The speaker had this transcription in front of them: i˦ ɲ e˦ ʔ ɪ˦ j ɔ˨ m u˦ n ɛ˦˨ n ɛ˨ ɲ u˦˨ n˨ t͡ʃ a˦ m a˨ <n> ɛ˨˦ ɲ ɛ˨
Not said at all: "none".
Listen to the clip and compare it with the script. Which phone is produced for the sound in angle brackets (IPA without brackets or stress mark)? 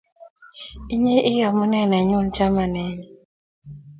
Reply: n